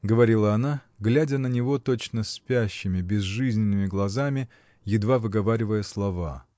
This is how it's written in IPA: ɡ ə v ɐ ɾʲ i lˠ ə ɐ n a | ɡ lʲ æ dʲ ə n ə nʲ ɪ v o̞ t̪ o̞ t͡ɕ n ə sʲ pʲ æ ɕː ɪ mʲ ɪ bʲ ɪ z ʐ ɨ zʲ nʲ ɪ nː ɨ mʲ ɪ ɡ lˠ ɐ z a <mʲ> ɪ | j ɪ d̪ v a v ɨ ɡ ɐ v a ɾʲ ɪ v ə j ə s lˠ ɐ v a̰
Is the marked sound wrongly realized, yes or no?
no